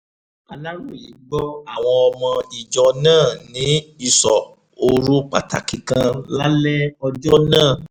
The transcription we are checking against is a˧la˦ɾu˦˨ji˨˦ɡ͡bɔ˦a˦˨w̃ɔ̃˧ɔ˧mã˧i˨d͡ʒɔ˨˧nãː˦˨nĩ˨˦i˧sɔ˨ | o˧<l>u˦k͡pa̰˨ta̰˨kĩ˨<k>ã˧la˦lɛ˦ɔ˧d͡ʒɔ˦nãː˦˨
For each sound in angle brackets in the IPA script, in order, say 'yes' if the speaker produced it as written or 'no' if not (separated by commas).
no, yes